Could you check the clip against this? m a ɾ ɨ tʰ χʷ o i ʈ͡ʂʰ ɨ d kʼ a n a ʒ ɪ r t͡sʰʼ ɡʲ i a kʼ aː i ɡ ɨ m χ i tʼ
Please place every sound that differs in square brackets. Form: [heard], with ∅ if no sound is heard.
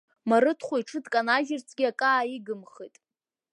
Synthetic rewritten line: m a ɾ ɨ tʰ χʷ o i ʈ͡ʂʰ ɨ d kʼ a n a ʒ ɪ r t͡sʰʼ ɡʲ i a kʼ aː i ɡ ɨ m χ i tʼ